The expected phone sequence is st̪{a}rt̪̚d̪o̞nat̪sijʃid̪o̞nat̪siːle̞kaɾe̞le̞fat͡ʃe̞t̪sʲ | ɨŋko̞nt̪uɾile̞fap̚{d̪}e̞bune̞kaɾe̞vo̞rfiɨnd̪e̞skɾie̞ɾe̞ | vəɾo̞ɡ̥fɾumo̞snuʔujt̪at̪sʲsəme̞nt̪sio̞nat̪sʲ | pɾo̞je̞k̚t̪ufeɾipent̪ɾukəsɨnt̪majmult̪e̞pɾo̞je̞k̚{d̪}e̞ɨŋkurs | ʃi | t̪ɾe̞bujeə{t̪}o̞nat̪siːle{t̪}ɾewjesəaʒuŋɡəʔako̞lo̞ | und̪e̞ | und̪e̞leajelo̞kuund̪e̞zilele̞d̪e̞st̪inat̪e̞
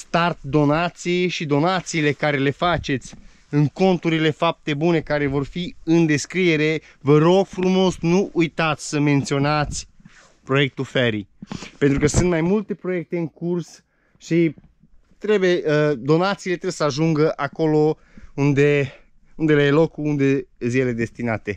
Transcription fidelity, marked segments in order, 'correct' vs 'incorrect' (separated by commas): correct, incorrect, incorrect, incorrect, correct